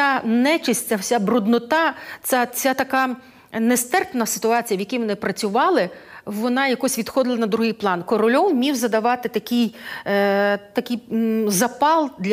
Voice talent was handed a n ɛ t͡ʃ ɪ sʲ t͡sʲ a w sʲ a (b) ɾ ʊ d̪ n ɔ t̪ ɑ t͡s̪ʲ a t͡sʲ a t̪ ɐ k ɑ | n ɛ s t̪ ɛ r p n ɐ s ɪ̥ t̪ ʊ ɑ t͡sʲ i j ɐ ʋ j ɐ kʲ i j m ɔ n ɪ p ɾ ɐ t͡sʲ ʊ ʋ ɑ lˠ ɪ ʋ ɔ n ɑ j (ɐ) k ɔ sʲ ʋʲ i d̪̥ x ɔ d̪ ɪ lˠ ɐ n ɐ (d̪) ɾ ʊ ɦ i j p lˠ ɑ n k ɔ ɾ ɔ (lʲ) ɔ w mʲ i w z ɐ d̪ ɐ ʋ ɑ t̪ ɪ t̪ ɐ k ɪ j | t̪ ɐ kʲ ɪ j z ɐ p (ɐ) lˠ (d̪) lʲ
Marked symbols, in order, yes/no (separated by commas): yes, yes, yes, yes, no, yes